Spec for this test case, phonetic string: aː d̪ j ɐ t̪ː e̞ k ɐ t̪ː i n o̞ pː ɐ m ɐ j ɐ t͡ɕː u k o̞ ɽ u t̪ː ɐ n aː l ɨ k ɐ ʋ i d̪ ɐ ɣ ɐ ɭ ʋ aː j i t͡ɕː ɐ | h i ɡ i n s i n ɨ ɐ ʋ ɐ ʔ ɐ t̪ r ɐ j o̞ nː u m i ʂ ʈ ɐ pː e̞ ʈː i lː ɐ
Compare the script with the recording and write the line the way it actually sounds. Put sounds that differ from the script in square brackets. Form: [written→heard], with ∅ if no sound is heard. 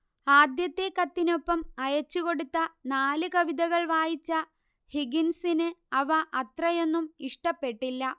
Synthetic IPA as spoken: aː d̪ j ɐ t̪ː e̞ k ɐ t̪ː i n o̞ pː ɐ m ɐ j ɐ t͡ɕː u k o̞ ɽ u t̪ː ɐ n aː l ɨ k ɐ ʋ i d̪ ɐ ɣ ɐ ɭ ʋ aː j i t͡ɕː ɐ | h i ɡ i n s i n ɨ ɐ ʋ ɐ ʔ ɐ t̪ r ɐ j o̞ nː u m i ʂ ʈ ɐ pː e̞ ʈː i lː ɐ